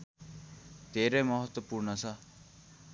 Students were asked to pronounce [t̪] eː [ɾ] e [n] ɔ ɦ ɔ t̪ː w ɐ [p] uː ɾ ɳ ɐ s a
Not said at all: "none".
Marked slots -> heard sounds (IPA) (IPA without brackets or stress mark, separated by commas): t̪, ɾ, m, p